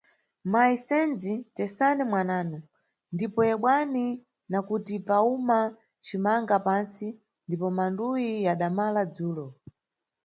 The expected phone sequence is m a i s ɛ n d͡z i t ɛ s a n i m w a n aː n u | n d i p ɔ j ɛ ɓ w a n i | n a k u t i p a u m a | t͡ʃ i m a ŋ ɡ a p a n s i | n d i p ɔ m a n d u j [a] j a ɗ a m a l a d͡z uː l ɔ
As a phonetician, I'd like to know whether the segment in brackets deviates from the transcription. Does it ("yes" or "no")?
yes